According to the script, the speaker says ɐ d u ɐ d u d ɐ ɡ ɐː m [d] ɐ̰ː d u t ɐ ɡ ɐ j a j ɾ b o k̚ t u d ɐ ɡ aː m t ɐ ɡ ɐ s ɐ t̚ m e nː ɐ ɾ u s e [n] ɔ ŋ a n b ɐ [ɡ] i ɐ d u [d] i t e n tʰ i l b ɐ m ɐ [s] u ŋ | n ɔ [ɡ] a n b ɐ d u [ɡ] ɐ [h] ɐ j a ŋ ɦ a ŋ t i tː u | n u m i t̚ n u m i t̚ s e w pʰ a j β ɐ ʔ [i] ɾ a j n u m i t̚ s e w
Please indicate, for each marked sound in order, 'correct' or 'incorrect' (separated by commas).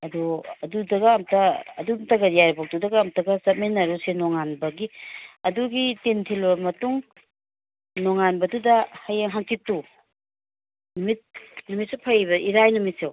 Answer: incorrect, correct, correct, incorrect, incorrect, incorrect, incorrect, correct, correct